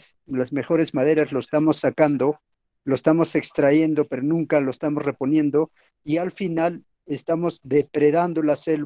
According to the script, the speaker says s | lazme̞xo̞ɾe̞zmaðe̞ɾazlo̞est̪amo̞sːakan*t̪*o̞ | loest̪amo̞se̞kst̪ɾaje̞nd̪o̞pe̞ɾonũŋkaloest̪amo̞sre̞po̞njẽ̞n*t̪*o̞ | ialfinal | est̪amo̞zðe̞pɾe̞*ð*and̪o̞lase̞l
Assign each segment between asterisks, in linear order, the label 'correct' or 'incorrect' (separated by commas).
incorrect, incorrect, correct